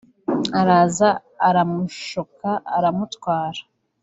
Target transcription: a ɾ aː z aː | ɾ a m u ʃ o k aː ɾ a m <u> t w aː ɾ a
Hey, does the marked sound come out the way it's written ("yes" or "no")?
yes